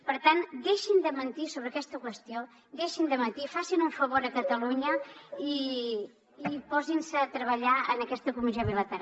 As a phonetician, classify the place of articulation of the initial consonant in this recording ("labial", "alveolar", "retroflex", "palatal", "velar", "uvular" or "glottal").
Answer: labial